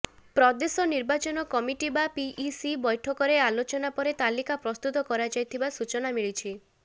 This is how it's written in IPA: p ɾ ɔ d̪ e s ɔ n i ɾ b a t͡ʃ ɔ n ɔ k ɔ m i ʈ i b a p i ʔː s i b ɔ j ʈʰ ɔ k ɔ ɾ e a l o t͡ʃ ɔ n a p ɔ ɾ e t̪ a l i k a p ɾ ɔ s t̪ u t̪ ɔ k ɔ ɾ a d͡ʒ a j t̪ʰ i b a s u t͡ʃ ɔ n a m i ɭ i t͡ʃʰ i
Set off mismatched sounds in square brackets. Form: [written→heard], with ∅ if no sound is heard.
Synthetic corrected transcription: p ɾ ɔ d̪ e s ɔ n i ɾ b a t͡ʃ ɔ n ɔ k ɔ m i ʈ i b a p i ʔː s i b ɔ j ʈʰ ɔ k ɔ ɾ e a l o t͡ʃ ɔ n a p ɔ ɾ e t̪ a l i k a p ɾ ɔ s t̪ u t̪ ɔ k ɔ ɾ a d͡ʒ a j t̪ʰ i b a s u t͡ʃ ɔ n a m i ɭ i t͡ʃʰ i